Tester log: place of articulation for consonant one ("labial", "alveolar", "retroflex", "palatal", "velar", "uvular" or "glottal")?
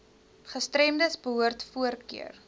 uvular